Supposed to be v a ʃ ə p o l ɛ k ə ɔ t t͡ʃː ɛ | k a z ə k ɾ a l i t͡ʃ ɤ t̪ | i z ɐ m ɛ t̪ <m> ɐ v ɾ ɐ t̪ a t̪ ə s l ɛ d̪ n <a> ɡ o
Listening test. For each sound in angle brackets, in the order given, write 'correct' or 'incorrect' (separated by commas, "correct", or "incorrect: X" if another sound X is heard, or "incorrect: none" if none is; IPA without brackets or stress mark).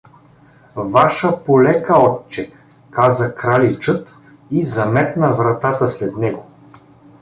incorrect: n, incorrect: ɛ